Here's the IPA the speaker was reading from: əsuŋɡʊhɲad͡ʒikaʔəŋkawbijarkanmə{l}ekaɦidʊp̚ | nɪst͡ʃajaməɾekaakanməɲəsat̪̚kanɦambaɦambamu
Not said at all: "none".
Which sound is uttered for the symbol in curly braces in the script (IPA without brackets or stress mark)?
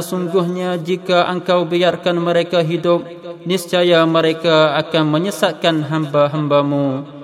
ɾ